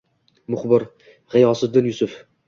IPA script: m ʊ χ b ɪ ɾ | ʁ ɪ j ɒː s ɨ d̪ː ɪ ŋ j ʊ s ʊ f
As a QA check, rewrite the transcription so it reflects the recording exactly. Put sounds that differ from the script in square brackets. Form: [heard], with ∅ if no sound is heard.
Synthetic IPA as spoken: m ʊ χ b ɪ ɾ | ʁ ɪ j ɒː s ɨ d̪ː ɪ [n] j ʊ s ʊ f